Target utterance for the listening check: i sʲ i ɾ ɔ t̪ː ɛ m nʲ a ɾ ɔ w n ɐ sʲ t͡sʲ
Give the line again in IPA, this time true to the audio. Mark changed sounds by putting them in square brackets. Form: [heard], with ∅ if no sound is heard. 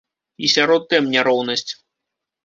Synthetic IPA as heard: i sʲ [a] ɾ ɔ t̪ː ɛ m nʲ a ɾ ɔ w n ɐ sʲ t͡sʲ